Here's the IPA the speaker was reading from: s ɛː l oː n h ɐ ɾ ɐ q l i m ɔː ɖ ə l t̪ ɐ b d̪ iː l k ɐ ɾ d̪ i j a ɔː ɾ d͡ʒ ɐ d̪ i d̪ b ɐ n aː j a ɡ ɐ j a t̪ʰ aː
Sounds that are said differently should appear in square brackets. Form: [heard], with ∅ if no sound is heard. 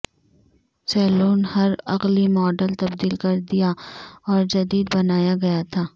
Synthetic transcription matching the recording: s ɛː l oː n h ɐ ɾ ɐ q l i m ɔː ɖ ə l t̪ ɐ b d̪ iː l k ɐ ɾ d̪ i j a ɔː ɾ d͡ʒ ɐ d̪ [iː] d̪ b ɐ n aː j a ɡ ɐ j a t̪ʰ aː